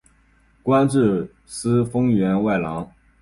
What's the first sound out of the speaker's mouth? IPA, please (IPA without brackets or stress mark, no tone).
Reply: k